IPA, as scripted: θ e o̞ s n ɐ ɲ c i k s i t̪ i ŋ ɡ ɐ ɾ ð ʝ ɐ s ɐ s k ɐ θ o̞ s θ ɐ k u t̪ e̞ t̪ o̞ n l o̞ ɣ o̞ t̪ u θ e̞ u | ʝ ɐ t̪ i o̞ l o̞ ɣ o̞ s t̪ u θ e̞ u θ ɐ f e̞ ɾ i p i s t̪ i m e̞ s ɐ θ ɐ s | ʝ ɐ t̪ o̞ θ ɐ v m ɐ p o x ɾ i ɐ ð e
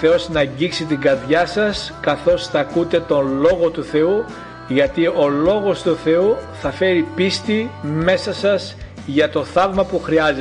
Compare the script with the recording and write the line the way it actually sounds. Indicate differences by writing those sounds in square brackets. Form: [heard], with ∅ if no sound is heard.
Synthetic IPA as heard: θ e o̞ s n ɐ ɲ [ɟ] i k s i t̪ i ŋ ɡ ɐ ɾ ð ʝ ɐ s ɐ s k ɐ θ o̞ s θ ɐ k u t̪ e̞ t̪ o̞ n l o̞ ɣ o̞ t̪ u θ e̞ u | ʝ ɐ t̪ i o̞ l o̞ ɣ o̞ s t̪ u θ e̞ u θ ɐ f e̞ ɾ i p i s t̪ i m e̞ s ɐ [s] ɐ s | ʝ ɐ t̪ o̞ θ ɐ v m ɐ p [u] x ɾ i ɐ [z] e